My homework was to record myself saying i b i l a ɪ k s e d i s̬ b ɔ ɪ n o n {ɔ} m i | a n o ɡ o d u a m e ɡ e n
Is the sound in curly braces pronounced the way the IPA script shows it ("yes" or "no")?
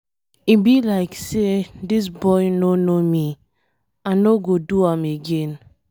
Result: no